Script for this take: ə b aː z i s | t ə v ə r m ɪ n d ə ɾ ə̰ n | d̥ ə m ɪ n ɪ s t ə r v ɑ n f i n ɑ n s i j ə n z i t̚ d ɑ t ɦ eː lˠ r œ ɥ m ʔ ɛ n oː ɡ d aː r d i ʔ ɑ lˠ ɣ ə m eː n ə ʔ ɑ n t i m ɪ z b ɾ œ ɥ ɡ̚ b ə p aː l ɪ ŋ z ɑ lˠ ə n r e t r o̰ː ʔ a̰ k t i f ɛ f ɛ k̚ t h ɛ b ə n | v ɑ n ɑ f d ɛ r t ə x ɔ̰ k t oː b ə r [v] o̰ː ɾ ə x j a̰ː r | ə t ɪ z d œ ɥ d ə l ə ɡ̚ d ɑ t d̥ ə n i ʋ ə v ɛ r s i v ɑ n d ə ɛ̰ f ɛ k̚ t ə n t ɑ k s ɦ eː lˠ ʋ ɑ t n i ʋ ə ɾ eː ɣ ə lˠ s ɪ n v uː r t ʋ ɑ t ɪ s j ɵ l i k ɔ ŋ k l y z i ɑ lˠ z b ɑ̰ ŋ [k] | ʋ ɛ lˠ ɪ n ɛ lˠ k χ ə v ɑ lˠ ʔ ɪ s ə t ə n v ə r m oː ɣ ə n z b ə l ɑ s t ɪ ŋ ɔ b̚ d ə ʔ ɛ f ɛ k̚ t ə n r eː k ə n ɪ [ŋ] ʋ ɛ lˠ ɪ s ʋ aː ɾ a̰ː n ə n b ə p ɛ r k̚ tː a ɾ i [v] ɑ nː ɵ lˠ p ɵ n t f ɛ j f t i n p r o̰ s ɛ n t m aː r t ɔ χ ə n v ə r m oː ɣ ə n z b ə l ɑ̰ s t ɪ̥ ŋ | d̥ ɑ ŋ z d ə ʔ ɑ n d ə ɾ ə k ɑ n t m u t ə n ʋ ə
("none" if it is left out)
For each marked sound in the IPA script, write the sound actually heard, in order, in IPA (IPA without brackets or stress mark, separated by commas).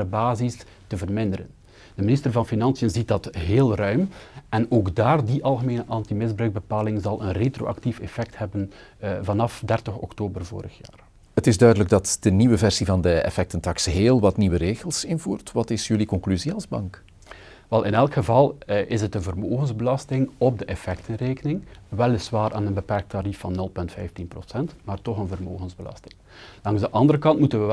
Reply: v, k, ŋ, f